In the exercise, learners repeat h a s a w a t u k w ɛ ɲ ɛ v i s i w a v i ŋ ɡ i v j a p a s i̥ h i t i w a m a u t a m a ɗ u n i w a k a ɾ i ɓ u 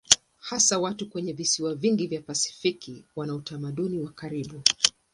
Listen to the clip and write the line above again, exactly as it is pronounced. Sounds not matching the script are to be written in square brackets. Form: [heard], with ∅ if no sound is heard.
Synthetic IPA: h a s a w a t u k w ɛ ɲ ɛ v i s i w a v i ŋ ɡ i v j a p a s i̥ [f] i [k] i w a [n] a u t a m a ɗ u n i w a k a ɾ i ɓ u